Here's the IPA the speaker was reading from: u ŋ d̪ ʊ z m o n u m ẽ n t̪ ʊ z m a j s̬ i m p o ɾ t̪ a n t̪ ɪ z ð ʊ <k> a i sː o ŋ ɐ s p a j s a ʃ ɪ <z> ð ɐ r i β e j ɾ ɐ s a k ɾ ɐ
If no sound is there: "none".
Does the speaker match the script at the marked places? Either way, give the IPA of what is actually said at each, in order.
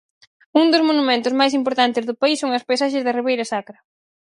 p, z

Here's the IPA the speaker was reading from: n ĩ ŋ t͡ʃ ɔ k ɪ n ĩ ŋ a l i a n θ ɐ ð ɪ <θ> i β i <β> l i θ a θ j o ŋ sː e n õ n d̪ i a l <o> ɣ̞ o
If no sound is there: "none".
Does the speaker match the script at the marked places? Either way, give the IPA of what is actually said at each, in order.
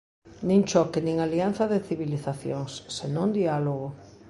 θ, none, o

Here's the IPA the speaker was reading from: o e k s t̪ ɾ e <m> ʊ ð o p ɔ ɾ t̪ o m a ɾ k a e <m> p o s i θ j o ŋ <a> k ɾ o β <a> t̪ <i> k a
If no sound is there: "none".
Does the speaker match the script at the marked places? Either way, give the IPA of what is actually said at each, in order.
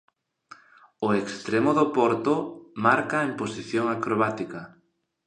m, m, a, a, i

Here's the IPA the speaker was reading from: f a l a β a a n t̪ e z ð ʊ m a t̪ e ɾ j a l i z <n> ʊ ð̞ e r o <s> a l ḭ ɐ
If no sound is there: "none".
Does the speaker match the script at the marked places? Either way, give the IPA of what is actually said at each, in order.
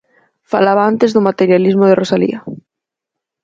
m, s

